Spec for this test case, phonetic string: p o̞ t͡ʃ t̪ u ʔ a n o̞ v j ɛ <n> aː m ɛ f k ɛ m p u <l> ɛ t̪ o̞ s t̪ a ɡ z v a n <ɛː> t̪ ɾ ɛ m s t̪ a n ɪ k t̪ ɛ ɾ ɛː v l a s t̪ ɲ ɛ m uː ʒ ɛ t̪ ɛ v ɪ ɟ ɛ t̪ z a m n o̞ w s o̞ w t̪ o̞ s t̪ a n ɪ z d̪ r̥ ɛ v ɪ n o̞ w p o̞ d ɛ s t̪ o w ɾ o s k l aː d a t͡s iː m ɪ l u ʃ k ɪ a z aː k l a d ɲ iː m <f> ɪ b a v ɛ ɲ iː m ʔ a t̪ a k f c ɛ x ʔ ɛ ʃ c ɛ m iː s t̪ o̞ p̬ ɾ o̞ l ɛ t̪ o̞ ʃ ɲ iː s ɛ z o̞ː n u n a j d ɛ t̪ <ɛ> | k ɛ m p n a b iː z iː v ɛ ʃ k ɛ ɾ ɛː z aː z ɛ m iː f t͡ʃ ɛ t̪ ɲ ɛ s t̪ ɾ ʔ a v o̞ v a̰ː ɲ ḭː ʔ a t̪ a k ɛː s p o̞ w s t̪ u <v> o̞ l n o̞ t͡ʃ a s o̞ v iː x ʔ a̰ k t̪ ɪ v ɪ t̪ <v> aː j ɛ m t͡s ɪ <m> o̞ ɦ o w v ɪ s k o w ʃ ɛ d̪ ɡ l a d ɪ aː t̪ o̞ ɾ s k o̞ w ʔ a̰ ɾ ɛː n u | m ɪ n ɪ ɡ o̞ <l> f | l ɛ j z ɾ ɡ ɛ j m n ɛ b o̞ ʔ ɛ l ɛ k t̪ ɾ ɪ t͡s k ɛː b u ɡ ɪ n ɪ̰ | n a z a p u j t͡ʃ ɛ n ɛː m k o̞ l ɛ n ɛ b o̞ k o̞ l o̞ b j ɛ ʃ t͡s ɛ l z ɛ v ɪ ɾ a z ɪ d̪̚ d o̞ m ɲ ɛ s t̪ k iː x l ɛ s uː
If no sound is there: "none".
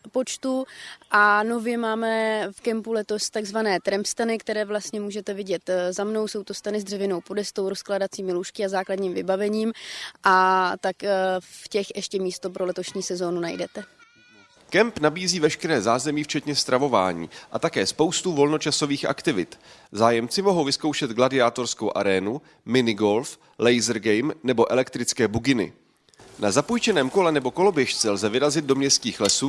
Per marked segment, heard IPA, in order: m, l, ɛː, v, ɛ, v, z, m, l

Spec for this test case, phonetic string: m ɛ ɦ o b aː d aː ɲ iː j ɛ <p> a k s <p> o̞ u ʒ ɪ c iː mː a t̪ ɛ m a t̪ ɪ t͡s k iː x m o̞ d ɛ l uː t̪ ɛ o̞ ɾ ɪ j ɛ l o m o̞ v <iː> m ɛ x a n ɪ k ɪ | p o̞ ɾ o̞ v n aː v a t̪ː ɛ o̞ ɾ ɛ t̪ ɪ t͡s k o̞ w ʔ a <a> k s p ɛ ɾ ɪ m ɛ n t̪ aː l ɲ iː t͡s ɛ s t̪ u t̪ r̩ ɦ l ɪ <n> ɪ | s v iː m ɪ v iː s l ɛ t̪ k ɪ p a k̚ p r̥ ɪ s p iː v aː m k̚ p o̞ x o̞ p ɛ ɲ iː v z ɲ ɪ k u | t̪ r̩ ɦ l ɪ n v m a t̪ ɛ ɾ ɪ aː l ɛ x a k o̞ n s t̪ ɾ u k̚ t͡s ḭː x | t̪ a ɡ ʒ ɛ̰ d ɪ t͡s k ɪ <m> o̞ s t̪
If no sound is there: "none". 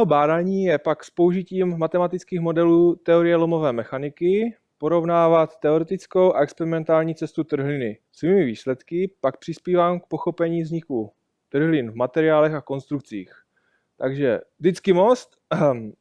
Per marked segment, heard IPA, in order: p, p, ɛː, ɛ, n, m

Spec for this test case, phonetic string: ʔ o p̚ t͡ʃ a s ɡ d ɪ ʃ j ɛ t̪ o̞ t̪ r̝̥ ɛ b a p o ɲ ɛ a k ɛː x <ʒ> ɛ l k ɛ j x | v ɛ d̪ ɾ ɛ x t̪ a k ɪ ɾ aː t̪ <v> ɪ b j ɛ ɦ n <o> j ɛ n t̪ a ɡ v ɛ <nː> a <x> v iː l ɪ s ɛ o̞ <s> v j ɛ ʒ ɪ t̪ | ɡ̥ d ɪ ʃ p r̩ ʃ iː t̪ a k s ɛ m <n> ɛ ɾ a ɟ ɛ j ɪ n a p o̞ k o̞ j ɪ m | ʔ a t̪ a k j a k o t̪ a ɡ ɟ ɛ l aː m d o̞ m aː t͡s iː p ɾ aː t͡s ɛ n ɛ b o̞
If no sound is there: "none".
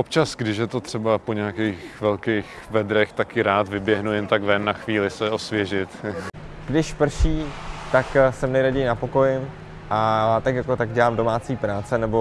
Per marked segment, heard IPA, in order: v, v, u, nː, x, s, n

